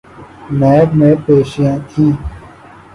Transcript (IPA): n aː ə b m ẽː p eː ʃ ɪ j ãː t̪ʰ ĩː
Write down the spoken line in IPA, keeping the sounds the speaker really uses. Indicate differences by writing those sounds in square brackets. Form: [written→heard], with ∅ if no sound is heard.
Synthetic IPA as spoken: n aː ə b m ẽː p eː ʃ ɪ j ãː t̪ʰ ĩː